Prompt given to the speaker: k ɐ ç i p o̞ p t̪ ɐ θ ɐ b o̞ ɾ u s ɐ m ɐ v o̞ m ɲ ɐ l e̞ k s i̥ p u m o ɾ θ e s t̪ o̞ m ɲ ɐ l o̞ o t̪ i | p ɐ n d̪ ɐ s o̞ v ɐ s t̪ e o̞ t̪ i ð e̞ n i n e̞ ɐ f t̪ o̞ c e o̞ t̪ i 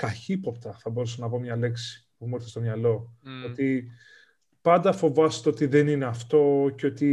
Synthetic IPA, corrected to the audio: k ɐ ç i p o̞ p t̪ ɐ θ ɐ b o̞ ɾ u s ɐ n ɐ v o̞ m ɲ ɐ l e̞ k s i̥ p u m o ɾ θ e s t̪ o̞ m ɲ ɐ l o̞ o t̪ i | p ɐ n d̪ ɐ f o̞ v ɐ s t̪ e o̞ t̪ i ð e̞ n i n e̞ ɐ f t̪ o̞ c e o̞ t̪ i